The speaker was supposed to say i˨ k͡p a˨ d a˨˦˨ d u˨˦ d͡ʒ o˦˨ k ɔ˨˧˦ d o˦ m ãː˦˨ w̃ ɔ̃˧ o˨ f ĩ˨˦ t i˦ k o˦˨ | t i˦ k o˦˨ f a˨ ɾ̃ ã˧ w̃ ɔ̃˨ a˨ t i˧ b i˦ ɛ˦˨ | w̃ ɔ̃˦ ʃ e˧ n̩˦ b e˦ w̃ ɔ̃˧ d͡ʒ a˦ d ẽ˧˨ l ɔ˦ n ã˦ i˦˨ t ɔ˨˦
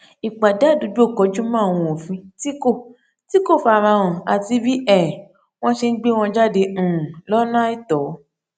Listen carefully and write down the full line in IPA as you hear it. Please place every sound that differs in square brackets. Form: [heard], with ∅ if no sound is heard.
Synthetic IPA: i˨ k͡p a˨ d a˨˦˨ d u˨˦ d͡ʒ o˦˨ k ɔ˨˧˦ [d͡ʒ] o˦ m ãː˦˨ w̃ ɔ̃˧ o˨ f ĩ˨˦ t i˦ k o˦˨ | t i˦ k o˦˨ f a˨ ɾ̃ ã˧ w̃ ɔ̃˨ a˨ t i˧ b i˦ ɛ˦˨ | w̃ ɔ̃˦ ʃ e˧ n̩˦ [ɡ͡b] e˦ w̃ ɔ̃˧ d͡ʒ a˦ d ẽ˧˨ l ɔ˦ n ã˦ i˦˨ t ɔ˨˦